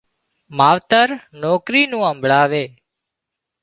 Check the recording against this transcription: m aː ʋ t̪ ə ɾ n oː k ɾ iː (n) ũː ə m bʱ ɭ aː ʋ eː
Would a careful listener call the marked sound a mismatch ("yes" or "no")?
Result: no